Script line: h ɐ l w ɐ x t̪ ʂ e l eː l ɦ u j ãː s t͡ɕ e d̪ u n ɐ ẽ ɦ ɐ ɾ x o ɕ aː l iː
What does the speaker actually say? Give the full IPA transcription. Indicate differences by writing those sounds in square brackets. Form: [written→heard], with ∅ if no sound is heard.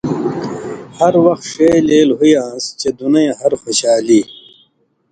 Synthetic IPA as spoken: h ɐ [l→ɾ] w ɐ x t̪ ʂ e l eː l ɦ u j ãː s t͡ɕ e d̪ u n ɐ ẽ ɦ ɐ ɾ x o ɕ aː l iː